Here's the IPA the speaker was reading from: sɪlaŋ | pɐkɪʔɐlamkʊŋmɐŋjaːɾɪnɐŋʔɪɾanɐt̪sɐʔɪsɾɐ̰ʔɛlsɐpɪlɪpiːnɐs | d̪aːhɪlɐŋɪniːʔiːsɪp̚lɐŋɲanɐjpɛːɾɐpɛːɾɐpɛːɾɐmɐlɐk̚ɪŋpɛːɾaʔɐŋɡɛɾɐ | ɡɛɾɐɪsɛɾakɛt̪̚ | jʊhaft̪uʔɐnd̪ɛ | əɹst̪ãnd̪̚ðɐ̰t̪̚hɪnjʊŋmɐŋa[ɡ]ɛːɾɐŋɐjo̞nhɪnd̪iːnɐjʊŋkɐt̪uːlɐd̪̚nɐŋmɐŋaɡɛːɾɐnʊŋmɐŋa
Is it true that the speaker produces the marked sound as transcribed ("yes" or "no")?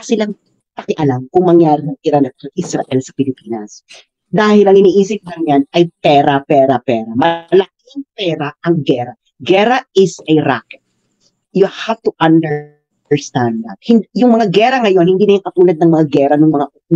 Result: yes